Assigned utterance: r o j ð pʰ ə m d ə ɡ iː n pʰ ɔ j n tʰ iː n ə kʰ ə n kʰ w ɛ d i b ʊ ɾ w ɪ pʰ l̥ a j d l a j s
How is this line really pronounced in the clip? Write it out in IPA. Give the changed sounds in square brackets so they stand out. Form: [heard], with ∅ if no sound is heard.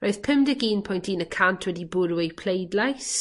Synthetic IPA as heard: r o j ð pʰ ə m d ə ɡ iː n pʰ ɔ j n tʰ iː n ə kʰ [a] n [tʰ] w ɛ d i b ʊ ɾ w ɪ pʰ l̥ [e] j d l a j s

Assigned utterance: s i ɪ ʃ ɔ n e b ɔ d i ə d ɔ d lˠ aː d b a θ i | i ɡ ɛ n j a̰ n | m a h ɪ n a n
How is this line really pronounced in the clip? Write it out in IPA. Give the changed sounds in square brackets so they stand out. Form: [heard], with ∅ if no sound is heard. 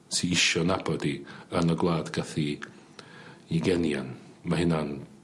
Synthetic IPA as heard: s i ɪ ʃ ɔ n [a] b ɔ d i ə [n] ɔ [ɡ] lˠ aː d [ɡ] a θ i | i ɡ ɛ n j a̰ n | m a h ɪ n a n

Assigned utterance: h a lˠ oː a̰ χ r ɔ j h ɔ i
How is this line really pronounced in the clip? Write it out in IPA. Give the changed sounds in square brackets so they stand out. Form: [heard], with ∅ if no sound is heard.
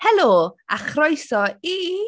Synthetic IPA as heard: h [ɛ] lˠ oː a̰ χ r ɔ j [s] ɔ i

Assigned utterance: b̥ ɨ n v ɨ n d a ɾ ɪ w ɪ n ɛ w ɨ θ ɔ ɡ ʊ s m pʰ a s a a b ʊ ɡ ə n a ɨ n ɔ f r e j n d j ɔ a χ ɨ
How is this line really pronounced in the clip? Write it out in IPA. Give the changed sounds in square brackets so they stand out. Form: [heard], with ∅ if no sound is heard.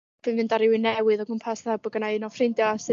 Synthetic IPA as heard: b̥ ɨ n v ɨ n d a ɾ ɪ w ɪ n ɛ w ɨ [ð] ɔ ɡ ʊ [∅] m pʰ a s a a b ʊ ɡ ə n a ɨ n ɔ f r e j n d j ɔ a [s] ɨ

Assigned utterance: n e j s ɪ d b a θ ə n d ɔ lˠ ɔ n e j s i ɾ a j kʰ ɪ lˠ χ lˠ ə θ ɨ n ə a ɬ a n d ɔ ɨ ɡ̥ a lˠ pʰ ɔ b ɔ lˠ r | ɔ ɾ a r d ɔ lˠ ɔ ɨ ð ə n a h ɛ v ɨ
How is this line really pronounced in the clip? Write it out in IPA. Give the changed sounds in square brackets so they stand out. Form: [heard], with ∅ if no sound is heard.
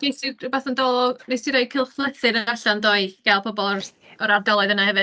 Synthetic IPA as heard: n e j s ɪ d b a θ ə n d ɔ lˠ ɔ n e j s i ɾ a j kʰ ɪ lˠ χ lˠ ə θ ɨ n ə a ɬ a n d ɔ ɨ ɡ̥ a lˠ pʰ ɔ b ɔ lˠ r | ɔ ɾ a r d ɔ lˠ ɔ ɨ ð ə n a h ɛ v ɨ

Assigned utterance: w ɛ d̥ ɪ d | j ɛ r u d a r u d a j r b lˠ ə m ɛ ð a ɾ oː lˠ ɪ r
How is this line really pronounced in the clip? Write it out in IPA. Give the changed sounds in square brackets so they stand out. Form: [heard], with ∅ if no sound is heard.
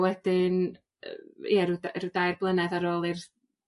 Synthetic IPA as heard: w ɛ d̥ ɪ [n] | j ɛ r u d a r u d a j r b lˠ ə [n] ɛ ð a ɾ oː lˠ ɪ r

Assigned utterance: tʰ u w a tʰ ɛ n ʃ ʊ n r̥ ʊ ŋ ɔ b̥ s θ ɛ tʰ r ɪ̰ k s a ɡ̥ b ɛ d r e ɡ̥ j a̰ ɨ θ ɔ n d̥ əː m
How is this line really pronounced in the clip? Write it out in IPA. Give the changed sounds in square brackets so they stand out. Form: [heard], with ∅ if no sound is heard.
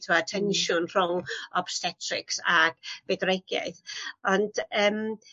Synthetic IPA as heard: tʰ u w a tʰ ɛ n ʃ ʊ n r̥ ʊ ŋ ɔ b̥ s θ ɛ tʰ r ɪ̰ k s a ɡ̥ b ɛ d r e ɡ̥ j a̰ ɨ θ ɔ n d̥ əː m

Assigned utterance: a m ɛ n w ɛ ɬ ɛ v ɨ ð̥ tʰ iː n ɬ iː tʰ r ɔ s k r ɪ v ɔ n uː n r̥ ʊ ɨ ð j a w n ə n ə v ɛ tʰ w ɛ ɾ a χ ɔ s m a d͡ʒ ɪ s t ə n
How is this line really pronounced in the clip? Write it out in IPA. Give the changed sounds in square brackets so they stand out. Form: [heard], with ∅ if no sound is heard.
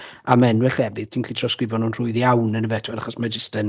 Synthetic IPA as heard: a m ɛ n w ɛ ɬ ɛ v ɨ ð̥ tʰ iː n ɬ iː tʰ r ɔ s k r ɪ v ɔ n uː n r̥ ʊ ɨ ð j a w n ə n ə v ɛ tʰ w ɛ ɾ a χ ɔ s m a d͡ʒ ɪ s t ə n

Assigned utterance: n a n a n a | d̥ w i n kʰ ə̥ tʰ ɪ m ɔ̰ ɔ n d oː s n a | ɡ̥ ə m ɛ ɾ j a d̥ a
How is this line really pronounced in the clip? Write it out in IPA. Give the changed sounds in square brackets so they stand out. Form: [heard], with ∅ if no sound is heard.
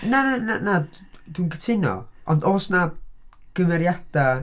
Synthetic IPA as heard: n a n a n a | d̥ w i n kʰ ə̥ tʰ ɪ [n] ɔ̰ ɔ n d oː s n a | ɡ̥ ə m ɛ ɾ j a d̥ a

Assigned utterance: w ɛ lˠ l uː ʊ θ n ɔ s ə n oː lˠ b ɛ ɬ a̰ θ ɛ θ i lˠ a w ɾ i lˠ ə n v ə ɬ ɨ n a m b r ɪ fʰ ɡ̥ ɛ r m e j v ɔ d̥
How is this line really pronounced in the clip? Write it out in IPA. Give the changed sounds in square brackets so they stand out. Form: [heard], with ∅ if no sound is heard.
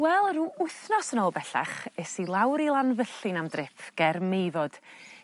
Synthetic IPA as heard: w ɛ lˠ [r] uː ʊ θ n ɔ s ə n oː lˠ b ɛ ɬ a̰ [χ] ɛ [s] i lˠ a w ɾ i lˠ [a] n v ə ɬ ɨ n a m [d] r ɪ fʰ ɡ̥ ɛ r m e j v ɔ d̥

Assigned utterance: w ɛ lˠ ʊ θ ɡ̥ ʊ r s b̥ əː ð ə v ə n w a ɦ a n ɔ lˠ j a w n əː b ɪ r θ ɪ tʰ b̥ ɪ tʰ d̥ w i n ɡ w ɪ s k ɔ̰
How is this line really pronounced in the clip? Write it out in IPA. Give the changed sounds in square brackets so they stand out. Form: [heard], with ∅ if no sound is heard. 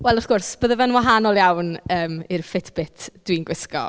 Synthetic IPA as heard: w ɛ lˠ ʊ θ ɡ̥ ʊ r s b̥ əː ð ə v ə n w a ɦ a n ɔ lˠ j a w n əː [m] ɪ r [f] ɪ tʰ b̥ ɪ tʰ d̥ w i n ɡ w ɪ s k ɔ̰

